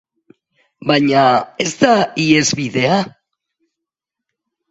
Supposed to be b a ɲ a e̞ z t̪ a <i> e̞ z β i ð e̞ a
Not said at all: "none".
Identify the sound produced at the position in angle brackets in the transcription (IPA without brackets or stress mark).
i